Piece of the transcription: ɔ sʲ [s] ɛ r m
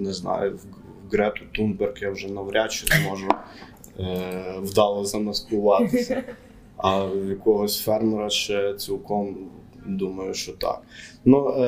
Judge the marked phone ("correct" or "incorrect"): incorrect